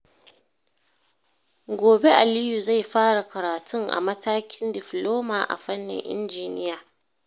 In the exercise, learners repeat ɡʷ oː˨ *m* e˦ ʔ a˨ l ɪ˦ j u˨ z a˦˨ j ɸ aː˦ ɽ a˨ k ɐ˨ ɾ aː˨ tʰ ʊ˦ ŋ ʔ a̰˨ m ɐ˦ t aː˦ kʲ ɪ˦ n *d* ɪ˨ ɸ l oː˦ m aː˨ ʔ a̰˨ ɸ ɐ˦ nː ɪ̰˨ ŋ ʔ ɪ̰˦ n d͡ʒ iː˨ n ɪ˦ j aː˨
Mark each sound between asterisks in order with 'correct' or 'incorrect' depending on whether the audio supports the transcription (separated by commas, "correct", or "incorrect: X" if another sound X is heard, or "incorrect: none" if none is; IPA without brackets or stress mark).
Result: incorrect: b, correct